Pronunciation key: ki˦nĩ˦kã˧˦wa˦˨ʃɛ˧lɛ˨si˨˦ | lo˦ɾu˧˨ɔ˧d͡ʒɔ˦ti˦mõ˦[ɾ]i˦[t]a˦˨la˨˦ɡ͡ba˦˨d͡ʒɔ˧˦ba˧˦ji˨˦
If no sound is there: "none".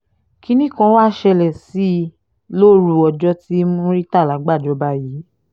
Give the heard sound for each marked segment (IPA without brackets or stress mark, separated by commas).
ɾ, t